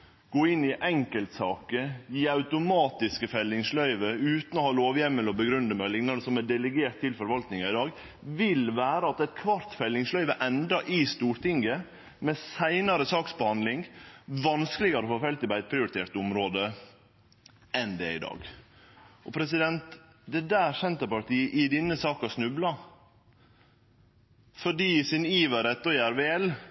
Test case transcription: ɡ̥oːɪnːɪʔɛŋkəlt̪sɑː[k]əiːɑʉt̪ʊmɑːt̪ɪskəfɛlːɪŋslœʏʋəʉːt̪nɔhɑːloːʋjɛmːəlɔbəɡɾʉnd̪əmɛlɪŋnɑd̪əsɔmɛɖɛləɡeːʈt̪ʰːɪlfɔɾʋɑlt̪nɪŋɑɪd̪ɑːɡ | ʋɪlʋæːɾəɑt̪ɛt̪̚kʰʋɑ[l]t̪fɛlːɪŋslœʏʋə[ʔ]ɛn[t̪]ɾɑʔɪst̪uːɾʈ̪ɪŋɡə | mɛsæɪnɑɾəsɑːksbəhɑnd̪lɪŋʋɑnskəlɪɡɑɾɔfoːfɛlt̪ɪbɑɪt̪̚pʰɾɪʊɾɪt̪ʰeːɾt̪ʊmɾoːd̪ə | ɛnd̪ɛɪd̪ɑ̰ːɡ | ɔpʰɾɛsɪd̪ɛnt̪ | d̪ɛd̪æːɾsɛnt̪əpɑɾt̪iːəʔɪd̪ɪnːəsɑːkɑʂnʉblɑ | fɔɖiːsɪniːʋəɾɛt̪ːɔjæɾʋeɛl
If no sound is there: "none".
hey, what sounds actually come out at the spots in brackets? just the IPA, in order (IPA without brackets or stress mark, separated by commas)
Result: k, ɾ, ʔ, d̪